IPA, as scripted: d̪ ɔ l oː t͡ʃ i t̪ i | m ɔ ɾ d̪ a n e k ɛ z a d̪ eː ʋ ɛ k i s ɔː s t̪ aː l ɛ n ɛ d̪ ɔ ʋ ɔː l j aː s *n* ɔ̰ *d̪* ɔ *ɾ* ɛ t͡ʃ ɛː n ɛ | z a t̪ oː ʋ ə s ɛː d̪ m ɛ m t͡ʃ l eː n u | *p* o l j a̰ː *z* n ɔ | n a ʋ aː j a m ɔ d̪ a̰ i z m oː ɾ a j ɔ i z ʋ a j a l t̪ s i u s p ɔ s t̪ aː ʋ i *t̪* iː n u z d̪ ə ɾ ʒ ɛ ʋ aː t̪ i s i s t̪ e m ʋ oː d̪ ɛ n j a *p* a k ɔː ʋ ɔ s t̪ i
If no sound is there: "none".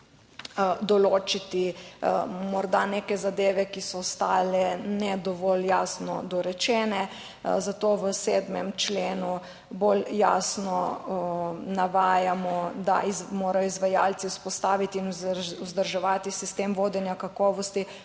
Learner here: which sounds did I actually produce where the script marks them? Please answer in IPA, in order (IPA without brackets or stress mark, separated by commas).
n, d̪, ɾ, b, s, t̪, k